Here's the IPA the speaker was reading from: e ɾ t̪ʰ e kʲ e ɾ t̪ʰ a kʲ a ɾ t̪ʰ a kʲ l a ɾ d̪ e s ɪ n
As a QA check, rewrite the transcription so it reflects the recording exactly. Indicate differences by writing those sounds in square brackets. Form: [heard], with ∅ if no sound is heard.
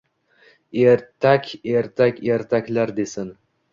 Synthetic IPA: e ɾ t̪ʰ [a] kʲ e ɾ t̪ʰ a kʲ [e] ɾ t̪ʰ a kʲ l a ɾ d̪ e s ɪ n